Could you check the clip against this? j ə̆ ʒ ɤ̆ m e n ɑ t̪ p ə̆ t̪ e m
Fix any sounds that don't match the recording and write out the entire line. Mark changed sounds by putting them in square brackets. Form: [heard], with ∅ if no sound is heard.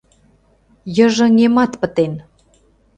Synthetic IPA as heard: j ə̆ ʒ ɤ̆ [ŋ] e [m] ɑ t̪ p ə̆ t̪ e [n]